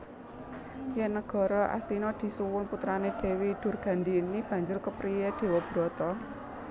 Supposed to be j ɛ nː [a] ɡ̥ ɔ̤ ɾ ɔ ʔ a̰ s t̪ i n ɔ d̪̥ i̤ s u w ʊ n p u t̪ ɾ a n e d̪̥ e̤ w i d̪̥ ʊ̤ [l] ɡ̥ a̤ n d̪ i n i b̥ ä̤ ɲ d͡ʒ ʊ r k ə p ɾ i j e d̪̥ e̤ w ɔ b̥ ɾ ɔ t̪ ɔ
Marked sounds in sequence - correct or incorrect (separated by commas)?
incorrect, incorrect